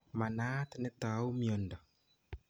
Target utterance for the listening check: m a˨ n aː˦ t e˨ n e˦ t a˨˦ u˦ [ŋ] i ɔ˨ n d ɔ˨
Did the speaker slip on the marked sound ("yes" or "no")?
yes